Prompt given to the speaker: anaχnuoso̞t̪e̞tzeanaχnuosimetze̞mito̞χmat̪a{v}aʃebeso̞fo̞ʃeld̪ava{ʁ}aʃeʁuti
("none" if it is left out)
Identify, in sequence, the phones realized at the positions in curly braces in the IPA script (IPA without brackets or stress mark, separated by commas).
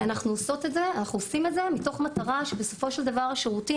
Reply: ʁ, ʁ